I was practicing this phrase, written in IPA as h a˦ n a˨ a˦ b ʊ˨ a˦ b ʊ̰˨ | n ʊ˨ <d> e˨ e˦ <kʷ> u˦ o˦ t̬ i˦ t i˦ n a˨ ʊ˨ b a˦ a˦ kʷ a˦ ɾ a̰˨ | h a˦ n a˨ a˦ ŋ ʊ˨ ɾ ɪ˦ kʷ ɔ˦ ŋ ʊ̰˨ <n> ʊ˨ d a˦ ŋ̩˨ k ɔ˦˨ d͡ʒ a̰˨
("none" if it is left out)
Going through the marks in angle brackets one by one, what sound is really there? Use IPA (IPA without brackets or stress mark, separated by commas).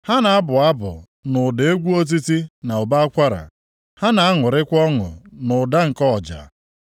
d, ɡʷ, n